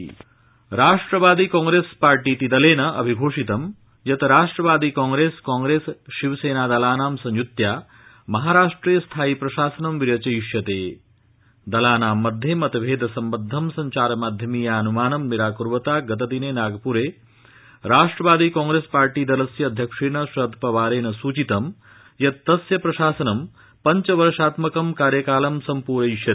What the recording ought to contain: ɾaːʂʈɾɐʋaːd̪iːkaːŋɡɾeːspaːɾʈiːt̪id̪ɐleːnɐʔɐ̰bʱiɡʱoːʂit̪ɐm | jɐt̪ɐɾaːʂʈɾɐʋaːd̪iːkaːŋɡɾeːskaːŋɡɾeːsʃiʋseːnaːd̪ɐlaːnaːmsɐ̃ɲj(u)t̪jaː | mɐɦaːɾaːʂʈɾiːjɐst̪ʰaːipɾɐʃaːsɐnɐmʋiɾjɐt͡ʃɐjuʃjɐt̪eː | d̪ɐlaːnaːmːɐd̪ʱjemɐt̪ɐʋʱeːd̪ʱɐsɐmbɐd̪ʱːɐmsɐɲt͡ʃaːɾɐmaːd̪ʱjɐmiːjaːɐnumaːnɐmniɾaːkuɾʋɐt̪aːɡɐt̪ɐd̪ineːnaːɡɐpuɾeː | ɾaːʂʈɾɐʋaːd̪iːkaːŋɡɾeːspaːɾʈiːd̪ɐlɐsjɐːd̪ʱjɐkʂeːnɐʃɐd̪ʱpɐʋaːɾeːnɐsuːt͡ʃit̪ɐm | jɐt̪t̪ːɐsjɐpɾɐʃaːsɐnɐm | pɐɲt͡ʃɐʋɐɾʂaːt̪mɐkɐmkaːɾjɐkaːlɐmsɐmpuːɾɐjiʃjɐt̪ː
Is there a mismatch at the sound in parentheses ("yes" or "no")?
no